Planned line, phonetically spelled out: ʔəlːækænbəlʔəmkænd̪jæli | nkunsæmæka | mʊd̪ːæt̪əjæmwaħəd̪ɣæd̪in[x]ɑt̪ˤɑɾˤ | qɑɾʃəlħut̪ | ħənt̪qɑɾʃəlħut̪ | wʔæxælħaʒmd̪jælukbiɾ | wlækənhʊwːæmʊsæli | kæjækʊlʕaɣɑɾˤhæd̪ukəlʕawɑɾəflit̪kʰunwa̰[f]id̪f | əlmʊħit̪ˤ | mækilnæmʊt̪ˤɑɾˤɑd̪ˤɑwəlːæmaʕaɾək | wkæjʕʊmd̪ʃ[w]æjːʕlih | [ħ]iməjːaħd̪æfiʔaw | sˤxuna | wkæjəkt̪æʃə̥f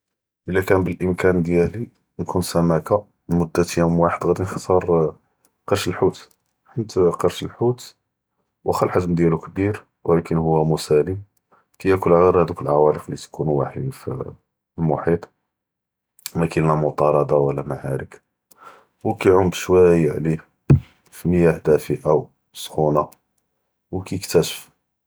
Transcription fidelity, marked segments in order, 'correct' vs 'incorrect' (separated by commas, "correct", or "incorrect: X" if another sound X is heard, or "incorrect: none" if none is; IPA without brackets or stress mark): correct, incorrect: ħ, correct, incorrect: f